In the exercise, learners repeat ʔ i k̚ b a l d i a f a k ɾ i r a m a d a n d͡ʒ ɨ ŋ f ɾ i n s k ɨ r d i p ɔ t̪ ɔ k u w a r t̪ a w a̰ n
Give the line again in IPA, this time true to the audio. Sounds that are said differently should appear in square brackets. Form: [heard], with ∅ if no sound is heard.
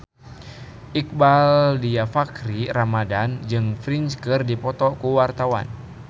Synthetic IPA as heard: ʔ i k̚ b a l d i a f a k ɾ i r a m a d a n d͡ʒ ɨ ŋ f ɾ i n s k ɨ r d i p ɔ t̪ ɔ k u w a r t̪ a w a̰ n